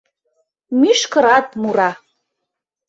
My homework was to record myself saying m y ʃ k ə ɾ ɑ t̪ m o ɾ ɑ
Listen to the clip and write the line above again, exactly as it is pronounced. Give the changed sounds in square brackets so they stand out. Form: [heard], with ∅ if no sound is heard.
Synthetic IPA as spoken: m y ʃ k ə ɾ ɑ t̪ m [u] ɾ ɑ